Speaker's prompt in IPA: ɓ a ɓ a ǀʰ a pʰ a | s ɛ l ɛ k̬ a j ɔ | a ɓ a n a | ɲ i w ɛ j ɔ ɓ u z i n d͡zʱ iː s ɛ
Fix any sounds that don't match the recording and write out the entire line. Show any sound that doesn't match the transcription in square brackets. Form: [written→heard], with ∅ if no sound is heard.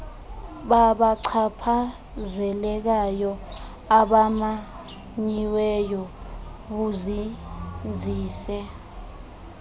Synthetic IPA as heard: ɓ a ɓ a ǀʰ a pʰ a | [s→z] ɛ l ɛ k̬ a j ɔ | a ɓ a [n→m] a | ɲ i w ɛ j ɔ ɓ u z i n d͡zʱ iː s ɛ